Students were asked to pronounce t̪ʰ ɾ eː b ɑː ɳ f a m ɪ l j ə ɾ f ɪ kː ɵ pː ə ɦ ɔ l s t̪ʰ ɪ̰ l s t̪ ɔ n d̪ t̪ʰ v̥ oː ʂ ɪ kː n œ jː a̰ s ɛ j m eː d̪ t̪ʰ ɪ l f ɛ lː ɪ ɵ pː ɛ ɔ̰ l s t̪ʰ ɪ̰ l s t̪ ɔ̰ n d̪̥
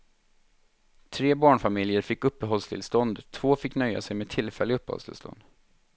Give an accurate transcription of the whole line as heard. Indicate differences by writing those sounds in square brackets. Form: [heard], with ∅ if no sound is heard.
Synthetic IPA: t̪ʰ ɾ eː b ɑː ɳ f a m ɪ l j ə ɾ f ɪ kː ɵ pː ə ɦ ɔ l s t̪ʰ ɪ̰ l s t̪ ɔ n d̪ t̪ʰ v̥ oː [f] ɪ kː n œ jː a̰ s ɛ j m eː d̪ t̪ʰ ɪ l f ɛ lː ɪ ɵ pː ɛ ɔ̰ l s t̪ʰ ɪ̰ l s t̪ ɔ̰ n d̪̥